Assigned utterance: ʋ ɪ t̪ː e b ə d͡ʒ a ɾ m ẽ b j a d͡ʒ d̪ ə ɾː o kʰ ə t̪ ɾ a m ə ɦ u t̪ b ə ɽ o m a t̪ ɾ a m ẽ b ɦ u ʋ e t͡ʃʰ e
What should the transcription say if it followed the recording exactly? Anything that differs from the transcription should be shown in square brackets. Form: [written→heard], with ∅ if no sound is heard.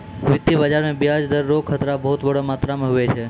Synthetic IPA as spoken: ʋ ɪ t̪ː [e→i] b ə d͡ʒ a ɾ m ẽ b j a d͡ʒ d̪ ə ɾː o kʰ ə t̪ ɾ a [m→b] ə ɦ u t̪ b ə ɽ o m a t̪ ɾ a m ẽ [b→∅] ɦ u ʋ e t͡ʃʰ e